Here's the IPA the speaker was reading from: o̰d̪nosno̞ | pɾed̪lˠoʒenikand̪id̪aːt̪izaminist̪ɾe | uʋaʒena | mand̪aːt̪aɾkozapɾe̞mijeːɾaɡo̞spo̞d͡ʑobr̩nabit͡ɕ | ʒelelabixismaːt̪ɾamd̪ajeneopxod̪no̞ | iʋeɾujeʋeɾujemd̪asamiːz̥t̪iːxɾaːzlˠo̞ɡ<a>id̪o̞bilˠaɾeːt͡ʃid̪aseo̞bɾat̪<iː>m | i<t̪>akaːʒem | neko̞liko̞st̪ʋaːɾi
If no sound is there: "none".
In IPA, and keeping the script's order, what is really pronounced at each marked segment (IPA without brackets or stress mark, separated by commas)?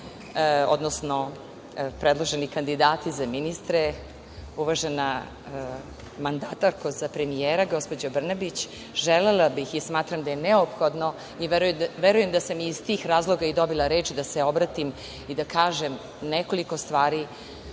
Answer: a, i, d̪